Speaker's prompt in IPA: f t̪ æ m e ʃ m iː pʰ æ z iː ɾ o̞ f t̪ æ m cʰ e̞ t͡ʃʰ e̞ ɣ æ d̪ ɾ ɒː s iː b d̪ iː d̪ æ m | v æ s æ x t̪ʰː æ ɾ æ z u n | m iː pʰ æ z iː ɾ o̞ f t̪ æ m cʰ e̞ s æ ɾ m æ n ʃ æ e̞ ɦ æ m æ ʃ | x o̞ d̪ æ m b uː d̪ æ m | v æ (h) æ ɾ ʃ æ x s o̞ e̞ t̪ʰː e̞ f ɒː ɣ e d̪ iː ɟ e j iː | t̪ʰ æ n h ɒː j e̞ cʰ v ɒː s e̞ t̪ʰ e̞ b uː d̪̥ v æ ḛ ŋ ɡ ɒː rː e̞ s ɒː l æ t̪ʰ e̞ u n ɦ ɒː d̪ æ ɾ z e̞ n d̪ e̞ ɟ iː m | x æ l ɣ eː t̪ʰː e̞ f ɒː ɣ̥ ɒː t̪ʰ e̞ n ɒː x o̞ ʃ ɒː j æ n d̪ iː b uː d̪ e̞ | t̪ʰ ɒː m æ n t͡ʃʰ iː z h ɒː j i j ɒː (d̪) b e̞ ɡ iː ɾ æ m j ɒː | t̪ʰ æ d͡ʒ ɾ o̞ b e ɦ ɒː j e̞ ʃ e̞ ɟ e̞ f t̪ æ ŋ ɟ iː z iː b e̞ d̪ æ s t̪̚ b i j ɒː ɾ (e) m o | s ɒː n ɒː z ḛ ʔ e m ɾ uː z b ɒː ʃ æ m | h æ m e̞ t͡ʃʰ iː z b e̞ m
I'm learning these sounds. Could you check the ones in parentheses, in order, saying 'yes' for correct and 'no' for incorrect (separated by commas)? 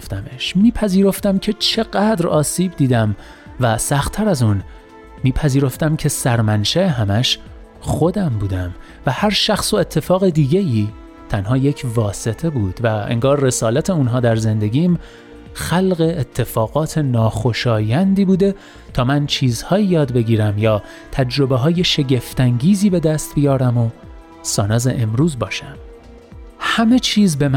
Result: yes, yes, no